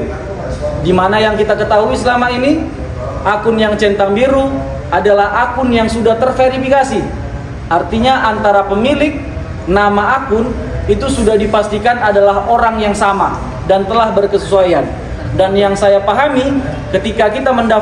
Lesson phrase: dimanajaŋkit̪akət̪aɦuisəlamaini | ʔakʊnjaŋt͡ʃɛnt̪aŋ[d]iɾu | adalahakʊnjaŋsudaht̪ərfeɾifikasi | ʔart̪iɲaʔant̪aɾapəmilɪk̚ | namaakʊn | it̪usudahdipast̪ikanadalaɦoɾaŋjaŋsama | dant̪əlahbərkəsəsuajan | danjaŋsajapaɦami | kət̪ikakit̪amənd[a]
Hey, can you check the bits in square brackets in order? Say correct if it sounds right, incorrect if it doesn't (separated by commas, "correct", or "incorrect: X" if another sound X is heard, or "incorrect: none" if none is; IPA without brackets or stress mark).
incorrect: b, correct